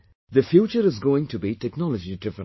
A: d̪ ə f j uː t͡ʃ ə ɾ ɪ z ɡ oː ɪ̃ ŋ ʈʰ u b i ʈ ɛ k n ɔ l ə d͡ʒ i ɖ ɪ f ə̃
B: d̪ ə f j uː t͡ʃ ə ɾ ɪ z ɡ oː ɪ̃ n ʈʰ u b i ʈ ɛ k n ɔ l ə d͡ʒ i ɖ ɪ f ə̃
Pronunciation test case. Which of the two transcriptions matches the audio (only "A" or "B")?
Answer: A